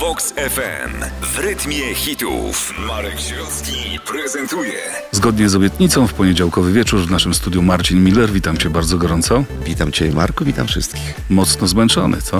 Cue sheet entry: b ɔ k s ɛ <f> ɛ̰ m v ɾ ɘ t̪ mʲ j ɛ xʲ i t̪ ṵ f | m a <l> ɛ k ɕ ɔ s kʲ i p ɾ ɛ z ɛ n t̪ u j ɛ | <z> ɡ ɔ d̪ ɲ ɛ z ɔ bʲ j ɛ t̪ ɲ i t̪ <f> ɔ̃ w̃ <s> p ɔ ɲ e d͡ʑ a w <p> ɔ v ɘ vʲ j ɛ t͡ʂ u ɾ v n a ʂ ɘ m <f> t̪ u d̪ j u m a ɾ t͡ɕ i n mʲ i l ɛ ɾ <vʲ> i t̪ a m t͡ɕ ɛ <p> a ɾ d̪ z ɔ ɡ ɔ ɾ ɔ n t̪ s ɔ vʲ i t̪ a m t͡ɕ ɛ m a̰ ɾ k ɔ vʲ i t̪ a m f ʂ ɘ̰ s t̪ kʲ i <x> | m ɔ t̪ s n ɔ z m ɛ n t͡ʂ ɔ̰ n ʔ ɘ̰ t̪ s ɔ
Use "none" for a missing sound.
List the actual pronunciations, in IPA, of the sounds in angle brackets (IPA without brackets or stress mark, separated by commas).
f, ɾ, z, s, f, k, s, vʲ, b, x